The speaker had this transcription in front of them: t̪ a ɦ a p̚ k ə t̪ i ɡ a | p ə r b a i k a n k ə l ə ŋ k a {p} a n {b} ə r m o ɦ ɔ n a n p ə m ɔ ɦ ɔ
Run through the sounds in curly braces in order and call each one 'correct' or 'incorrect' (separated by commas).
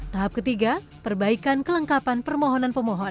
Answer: correct, incorrect